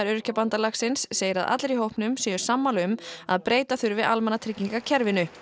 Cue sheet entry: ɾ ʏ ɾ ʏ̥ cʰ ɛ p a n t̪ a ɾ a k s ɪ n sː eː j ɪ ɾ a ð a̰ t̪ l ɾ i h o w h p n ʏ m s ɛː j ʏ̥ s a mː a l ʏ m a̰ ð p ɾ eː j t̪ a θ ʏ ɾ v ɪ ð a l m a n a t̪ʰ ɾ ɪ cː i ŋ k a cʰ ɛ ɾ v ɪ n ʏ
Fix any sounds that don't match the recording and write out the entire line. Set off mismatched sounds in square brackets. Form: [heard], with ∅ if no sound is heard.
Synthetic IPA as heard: ɾ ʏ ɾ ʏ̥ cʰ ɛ p a n t̪ a [l] a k s ɪ n sː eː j ɪ ɾ a ð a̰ t̪ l ɾ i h o w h p n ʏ m s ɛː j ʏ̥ s a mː a l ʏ m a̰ ð p ɾ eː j t̪ a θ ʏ ɾ v ɪ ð a l m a n a t̪ʰ ɾ ɪ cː i ŋ k a cʰ ɛ ɾ v ɪ n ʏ